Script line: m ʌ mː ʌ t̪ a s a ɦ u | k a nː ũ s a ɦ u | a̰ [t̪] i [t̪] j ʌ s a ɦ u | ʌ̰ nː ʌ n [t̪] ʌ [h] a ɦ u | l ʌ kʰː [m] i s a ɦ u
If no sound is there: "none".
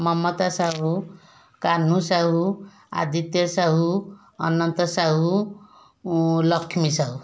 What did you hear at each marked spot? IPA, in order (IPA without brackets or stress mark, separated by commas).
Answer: d̪, t̪, t̪, s, m